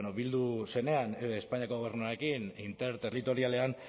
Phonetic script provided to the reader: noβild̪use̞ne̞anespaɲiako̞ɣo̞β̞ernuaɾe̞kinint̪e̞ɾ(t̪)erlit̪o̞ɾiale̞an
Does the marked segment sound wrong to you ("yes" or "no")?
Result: no